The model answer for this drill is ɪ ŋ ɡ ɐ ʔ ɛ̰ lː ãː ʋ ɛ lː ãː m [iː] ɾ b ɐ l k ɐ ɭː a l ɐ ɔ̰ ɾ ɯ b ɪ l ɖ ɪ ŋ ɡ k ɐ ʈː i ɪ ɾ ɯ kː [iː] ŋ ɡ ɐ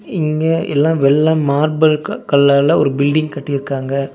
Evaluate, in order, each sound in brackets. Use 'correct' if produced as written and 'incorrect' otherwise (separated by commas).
incorrect, incorrect